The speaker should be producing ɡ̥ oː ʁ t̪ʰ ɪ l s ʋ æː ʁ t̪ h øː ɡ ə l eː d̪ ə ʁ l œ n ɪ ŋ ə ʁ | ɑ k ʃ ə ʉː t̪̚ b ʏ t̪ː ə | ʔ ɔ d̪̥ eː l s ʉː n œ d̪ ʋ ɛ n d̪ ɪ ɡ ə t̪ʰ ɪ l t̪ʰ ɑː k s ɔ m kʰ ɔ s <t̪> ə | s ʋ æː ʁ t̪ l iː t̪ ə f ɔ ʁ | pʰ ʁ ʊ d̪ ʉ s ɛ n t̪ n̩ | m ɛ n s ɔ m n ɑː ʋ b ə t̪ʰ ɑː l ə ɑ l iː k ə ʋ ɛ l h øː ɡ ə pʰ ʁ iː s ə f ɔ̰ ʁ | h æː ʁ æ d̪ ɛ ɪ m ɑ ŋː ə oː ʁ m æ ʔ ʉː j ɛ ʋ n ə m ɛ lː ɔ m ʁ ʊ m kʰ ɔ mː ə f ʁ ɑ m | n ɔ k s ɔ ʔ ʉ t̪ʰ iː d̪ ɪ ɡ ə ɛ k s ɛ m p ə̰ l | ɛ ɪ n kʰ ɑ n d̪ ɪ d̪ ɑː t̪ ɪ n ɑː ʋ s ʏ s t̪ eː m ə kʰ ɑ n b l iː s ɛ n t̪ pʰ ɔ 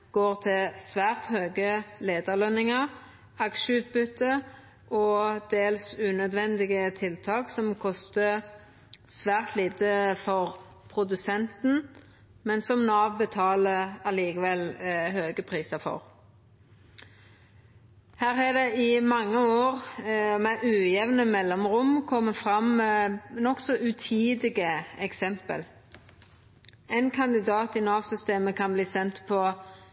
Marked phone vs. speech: correct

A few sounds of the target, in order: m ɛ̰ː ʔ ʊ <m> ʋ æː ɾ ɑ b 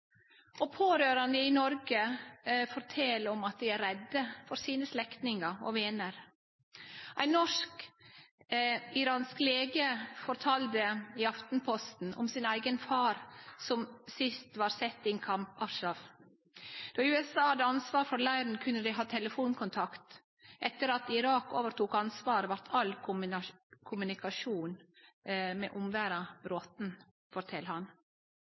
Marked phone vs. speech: correct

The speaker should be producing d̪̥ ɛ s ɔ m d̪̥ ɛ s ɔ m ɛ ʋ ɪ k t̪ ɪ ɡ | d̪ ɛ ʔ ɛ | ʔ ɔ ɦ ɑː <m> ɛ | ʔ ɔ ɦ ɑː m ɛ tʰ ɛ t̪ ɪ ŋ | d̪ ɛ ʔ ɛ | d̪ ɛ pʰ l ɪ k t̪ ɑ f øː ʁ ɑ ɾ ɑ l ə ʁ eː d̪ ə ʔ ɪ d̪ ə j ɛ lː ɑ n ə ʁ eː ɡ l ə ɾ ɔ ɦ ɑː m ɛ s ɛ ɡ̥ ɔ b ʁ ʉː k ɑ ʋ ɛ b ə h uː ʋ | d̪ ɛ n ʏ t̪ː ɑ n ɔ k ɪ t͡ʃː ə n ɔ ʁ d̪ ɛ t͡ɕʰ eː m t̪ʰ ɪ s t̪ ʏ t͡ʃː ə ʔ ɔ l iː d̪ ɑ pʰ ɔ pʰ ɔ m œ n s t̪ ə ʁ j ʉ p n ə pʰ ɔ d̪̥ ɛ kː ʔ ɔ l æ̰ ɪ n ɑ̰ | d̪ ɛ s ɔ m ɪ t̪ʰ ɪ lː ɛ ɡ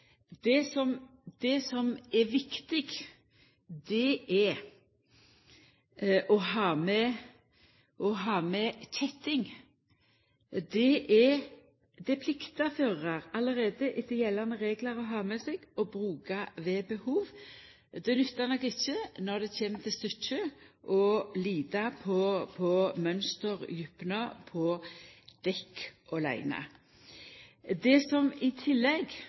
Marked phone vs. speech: correct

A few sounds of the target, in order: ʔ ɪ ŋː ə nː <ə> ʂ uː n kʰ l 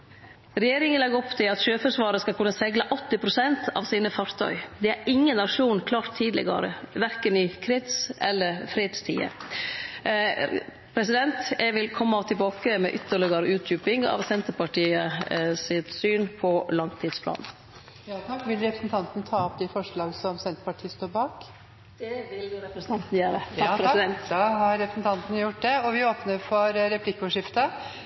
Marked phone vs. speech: incorrect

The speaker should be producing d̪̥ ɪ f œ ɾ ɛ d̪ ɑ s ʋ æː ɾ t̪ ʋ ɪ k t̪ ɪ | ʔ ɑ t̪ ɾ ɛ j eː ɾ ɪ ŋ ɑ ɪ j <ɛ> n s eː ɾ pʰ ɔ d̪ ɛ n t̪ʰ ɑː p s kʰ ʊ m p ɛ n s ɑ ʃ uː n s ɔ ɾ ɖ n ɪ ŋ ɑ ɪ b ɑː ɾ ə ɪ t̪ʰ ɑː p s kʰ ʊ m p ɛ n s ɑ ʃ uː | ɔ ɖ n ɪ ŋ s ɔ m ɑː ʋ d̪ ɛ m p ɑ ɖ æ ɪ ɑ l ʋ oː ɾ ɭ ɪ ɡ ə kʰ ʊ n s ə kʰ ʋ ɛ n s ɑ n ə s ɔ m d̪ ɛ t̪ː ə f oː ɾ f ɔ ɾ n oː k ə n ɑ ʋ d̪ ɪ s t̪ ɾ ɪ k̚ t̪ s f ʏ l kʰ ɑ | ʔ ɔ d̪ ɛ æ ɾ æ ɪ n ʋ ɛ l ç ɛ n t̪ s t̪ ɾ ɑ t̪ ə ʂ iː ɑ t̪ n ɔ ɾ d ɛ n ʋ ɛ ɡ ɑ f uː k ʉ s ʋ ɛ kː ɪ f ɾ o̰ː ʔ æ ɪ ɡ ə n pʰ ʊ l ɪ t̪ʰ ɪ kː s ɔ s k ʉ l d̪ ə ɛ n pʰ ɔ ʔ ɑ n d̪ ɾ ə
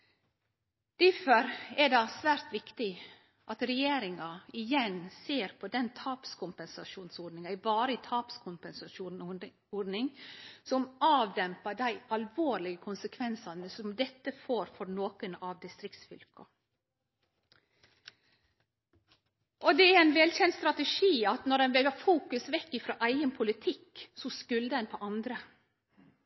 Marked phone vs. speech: correct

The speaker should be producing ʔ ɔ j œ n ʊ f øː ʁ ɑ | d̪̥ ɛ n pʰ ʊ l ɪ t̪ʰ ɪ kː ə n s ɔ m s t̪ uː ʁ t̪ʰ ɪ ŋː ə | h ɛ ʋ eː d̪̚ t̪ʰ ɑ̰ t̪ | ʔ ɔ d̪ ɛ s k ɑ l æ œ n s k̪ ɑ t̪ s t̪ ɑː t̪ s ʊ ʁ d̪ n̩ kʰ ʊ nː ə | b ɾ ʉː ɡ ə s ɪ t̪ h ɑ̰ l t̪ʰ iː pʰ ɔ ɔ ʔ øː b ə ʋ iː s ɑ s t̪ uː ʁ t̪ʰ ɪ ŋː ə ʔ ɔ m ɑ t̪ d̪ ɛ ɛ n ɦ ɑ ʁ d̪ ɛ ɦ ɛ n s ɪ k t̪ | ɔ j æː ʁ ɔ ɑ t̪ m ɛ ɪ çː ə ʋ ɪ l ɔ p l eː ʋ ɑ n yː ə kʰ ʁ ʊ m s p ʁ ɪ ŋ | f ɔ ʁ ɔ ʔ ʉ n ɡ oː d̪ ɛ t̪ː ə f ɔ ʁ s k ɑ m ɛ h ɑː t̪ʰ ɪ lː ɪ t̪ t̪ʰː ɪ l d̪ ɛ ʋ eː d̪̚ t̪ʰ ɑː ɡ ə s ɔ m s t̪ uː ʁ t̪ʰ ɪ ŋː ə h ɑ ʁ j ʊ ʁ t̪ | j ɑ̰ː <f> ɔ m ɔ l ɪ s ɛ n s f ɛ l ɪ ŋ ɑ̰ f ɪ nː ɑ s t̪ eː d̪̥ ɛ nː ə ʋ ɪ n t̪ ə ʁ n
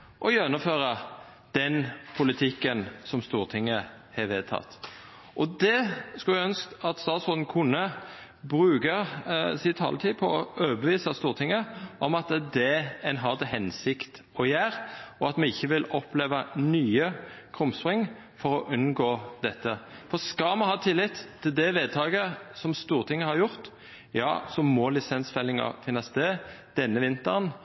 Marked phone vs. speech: incorrect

